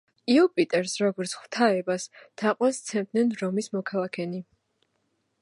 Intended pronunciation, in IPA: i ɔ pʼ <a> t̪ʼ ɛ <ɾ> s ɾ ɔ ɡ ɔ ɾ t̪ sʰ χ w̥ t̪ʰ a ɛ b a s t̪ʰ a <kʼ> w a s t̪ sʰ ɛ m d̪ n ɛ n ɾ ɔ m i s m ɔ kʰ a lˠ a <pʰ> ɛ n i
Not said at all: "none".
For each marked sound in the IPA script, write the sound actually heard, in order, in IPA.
i, ɾ, qʼ, kʰ

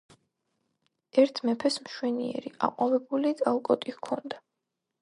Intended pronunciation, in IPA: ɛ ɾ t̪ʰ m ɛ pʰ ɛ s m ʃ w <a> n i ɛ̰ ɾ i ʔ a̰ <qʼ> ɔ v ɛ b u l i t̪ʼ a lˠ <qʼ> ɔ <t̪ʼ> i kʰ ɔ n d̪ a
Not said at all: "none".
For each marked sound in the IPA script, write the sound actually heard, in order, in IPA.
ɛ, qʼ, kʼ, t̪ʼ

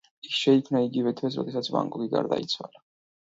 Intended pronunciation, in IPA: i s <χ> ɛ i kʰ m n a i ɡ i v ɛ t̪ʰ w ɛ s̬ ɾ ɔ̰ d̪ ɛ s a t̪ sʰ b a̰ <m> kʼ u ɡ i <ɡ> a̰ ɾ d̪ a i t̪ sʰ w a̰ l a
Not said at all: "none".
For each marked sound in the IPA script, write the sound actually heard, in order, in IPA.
ʃ, ŋ, ɡ

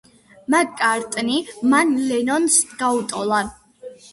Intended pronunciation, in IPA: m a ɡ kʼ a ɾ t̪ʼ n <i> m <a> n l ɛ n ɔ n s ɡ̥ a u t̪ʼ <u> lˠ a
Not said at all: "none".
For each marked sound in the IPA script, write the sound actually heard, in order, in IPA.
i, a, ɔ

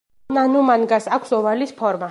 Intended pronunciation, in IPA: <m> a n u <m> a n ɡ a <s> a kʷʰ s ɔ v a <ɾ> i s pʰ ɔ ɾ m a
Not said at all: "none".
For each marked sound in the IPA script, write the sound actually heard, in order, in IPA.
n, m, s, l

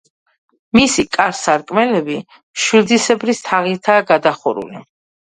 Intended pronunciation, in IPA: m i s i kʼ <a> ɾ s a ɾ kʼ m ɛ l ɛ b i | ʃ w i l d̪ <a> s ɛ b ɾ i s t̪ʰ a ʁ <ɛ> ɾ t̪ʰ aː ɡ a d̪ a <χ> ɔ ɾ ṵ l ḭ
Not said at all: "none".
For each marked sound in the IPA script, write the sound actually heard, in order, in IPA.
a, i, i, χ

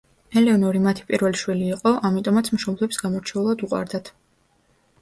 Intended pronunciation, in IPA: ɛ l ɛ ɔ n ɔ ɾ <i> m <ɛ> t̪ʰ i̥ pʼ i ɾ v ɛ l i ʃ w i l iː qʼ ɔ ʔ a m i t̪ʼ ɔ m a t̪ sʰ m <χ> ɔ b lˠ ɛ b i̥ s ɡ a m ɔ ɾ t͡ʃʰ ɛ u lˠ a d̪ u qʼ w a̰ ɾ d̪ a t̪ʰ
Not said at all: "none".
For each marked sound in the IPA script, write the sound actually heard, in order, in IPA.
i, a, ʃ

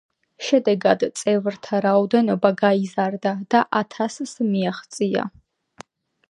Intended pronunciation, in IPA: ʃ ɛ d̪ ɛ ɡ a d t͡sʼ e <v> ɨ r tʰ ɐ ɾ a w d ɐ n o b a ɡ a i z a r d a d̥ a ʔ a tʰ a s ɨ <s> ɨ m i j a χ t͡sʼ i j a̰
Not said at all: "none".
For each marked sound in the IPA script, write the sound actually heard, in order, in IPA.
v, s

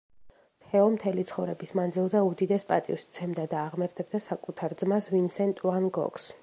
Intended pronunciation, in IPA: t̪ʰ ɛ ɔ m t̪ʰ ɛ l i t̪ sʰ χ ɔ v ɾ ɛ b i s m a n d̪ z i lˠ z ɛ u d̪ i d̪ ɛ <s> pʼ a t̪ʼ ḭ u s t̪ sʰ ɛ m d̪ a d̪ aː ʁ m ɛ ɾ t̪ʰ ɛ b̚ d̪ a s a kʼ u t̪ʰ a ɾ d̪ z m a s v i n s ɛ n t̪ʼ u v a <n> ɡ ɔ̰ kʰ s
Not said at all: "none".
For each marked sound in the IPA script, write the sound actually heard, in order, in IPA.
s, n

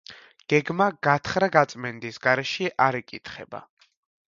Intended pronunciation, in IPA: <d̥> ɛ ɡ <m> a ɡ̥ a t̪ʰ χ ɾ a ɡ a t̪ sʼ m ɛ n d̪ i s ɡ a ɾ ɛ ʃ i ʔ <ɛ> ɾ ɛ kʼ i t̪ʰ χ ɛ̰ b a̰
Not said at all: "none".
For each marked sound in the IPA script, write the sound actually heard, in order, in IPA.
ɡ̥, m, a

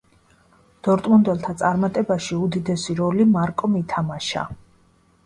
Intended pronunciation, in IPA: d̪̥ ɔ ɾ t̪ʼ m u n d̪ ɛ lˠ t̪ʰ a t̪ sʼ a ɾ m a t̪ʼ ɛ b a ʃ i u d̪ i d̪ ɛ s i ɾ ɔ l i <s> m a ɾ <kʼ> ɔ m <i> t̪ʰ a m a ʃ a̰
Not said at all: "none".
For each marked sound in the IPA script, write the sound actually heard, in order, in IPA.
none, kʼ, i

